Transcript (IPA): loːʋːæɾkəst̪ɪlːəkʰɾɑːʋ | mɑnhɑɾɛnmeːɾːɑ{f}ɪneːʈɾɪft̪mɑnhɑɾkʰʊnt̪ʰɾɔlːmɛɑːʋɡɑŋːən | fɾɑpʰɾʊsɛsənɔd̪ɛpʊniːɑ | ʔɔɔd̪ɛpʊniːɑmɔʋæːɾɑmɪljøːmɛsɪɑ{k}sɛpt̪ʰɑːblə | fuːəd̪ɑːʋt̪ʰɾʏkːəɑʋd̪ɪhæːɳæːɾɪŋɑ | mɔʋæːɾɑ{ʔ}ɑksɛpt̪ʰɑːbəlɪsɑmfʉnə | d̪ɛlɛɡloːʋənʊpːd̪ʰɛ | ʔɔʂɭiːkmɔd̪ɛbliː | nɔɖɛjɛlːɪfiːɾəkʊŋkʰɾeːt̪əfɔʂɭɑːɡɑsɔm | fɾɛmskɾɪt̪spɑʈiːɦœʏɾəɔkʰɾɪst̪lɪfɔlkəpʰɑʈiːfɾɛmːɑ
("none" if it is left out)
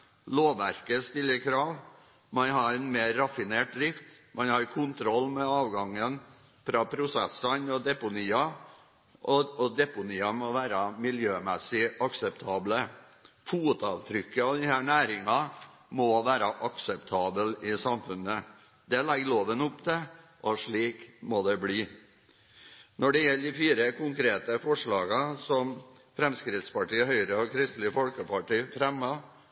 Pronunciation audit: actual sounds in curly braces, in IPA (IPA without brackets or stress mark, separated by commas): f, k, ʔ